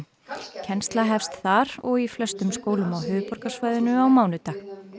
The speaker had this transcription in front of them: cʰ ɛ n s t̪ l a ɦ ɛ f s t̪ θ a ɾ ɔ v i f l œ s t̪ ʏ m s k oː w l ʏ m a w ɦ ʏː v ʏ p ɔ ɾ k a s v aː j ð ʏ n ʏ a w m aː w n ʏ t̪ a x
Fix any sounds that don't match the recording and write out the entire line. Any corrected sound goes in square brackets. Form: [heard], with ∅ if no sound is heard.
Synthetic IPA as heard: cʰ ɛ n s t̪ l a ɦ ɛ f s t̪ θ a ɾ ɔ [ɣ] i f l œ s t̪ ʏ m s k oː w l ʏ m a w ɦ ʏː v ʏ p ɔ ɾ k a s v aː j ð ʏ n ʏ a w m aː w n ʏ t̪ a x